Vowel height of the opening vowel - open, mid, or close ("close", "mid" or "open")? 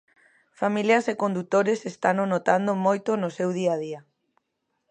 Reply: open